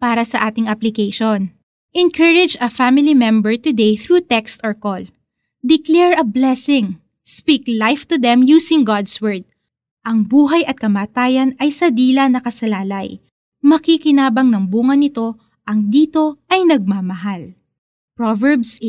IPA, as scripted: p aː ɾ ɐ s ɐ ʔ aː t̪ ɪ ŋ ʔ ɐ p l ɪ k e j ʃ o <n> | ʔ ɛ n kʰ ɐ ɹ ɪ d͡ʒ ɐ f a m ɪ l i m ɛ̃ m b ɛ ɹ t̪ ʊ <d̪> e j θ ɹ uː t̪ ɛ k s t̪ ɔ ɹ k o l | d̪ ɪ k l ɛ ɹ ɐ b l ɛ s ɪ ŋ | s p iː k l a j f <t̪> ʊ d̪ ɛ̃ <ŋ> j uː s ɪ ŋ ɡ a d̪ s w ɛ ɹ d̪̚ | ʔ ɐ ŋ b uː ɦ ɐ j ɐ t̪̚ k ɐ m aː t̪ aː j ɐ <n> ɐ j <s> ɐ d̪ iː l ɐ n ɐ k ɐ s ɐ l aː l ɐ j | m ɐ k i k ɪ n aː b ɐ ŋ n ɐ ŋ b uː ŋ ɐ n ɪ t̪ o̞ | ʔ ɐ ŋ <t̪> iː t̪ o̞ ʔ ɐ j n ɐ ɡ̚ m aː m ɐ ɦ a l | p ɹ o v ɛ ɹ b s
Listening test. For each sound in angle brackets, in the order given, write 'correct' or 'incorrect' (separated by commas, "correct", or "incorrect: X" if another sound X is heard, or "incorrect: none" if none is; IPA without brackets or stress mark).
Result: correct, correct, correct, incorrect: m, correct, correct, incorrect: d̪